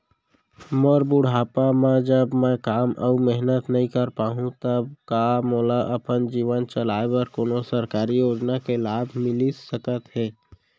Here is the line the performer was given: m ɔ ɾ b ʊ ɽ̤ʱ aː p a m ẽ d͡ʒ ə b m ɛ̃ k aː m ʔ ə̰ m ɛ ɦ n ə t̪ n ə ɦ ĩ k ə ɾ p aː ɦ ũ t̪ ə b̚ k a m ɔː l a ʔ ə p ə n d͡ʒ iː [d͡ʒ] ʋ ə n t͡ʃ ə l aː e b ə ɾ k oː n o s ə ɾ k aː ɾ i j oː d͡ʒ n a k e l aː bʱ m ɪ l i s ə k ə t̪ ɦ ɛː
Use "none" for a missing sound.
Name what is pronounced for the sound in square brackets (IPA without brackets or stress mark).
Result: none